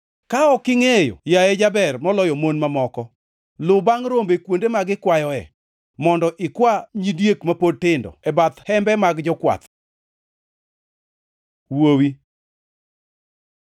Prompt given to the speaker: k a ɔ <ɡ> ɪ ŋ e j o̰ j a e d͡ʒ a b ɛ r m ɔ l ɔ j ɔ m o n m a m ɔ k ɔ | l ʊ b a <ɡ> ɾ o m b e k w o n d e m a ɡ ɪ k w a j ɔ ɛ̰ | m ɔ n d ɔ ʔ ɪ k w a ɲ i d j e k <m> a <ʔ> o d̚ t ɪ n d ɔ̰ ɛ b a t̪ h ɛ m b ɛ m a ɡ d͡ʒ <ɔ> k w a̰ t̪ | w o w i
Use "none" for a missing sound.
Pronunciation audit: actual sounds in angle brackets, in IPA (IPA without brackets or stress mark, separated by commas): k, ŋ, m, p, ɔ